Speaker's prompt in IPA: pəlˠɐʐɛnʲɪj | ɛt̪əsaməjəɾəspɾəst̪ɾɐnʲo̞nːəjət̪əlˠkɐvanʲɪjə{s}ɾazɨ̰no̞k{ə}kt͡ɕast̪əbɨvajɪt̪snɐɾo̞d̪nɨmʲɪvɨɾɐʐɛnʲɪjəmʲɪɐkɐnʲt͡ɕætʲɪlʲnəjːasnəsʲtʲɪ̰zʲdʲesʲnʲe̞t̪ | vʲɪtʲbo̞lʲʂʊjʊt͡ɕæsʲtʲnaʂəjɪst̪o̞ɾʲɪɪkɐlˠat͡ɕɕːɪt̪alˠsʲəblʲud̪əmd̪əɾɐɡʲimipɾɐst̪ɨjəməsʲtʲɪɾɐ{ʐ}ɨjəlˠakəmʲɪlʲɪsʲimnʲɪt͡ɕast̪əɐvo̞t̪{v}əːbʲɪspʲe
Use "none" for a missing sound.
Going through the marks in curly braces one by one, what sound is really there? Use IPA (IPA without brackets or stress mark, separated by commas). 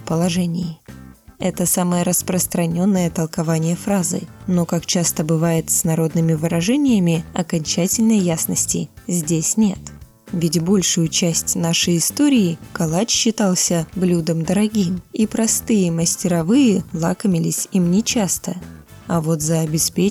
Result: f, a, v, z